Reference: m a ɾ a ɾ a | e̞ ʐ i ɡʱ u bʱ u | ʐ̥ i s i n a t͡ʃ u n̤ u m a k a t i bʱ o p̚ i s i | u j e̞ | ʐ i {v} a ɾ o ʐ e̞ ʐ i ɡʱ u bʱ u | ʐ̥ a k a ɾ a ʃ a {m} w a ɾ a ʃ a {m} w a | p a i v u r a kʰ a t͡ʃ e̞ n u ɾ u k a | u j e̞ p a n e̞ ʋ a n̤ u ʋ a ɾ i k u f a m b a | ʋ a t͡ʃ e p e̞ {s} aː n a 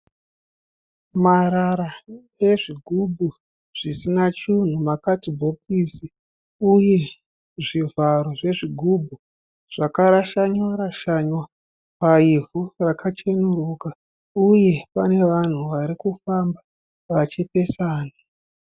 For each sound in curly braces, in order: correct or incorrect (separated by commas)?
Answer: correct, incorrect, incorrect, correct